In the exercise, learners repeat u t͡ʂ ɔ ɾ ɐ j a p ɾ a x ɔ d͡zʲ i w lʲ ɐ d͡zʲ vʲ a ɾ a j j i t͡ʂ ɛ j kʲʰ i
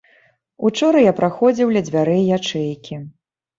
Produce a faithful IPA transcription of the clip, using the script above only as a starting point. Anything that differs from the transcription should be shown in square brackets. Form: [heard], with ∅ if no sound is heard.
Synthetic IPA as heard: u t͡ʂ ɔ ɾ ɐ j a p ɾ a x ɔ d͡zʲ i w lʲ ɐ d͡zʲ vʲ a ɾ [ɛ] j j [a] t͡ʂ ɛ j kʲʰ i

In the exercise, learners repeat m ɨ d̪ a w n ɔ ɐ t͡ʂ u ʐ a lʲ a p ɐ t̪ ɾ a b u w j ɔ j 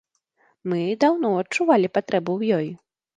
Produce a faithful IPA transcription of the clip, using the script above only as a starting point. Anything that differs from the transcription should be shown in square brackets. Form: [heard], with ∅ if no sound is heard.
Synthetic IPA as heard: m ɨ d̪ a w n ɔ ɐ t͡ʂ u [v] a lʲ [i] p [a] t̪ ɾ [ɛ] b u w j ɔ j

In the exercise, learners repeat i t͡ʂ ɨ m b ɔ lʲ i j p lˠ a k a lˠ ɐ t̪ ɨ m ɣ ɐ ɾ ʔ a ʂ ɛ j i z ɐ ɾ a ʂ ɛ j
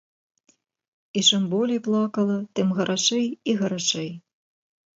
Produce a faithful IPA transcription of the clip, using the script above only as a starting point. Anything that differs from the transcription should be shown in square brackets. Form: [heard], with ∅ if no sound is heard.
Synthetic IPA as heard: i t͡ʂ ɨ m b ɔ lʲ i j p lˠ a k [ɐ] lˠ ɐ t̪ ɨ m ɣ ɐ ɾ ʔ a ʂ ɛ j i [ɣ] ɐ ɾ a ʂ ɛ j

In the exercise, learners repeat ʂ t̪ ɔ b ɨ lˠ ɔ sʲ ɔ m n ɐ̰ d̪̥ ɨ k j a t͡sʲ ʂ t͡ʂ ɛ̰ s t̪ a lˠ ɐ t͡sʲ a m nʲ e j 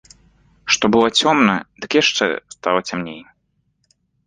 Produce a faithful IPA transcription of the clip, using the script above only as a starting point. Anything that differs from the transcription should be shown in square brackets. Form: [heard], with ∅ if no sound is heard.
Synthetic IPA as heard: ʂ t̪ ɔ b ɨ lˠ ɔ [t͡sʲ] ɔ m n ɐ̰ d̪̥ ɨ k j a [∅] ʂ t͡ʂ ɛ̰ s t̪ a lˠ ɐ t͡sʲ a m nʲ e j

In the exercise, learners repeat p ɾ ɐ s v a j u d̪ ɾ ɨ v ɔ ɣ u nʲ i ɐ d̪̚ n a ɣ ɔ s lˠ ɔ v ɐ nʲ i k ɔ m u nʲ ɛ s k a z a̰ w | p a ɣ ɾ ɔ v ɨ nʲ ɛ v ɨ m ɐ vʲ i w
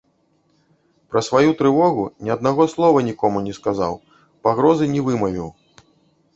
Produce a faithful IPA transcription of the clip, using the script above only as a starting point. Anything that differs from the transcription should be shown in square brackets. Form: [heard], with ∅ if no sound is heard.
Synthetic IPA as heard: p ɾ ɐ s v a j u [t̪] ɾ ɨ v ɔ ɣ u nʲ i ɐ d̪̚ n a ɣ ɔ s lˠ ɔ v ɐ nʲ i k ɔ m u nʲ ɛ s k a z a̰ w | p a ɣ ɾ ɔ [z] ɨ nʲ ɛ v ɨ m ɐ vʲ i w

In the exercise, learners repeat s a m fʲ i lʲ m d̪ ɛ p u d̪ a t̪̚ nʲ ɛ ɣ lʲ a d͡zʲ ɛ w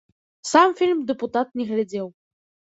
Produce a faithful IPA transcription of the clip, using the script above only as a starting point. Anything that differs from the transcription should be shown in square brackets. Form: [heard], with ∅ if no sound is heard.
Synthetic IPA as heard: s a m fʲ i lʲ m d̪ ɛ p u [t̪] a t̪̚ nʲ ɛ ɣ lʲ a d͡zʲ ɛ w

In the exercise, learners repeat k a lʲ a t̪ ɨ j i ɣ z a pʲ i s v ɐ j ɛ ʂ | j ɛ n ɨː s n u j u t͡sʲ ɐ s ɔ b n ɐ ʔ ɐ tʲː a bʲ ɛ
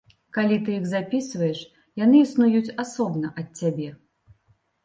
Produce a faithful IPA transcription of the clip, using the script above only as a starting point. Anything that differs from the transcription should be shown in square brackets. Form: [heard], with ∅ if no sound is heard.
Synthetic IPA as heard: k a lʲ [i] t̪ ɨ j i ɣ z a pʲ i s v ɐ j ɛ ʂ | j [a] n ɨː s n u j u t͡sʲ [a] s ɔ b n ɐ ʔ ɐ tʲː a bʲ ɛ

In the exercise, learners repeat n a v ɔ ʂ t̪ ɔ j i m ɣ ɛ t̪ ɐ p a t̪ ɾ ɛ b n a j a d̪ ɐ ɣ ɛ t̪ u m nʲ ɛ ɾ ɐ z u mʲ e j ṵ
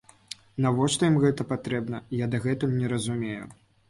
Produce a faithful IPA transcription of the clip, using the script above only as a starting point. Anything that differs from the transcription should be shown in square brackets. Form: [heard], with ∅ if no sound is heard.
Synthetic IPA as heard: n a v ɔ ʂ t̪ ɔ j i m ɣ ɛ t̪ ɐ p a t̪ ɾ ɛ b n [ɐ] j a d̪ ɐ ɣ ɛ t̪ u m nʲ ɛ ɾ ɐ z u mʲ e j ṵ

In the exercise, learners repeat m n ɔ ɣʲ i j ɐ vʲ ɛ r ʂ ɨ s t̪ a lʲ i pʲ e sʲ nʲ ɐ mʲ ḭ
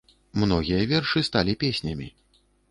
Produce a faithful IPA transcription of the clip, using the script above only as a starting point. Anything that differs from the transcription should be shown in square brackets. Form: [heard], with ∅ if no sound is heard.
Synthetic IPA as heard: m n ɔ ɣʲ i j ɐ vʲ ɛ r ʂ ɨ s t̪ a lʲ i pʲ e sʲ nʲ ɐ mʲ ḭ

